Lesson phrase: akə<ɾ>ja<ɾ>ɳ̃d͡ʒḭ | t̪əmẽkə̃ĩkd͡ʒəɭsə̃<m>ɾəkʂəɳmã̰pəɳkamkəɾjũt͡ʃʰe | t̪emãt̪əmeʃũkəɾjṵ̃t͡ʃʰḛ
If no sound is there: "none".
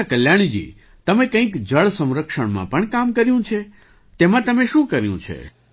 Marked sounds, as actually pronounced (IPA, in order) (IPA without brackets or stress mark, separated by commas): l, none, m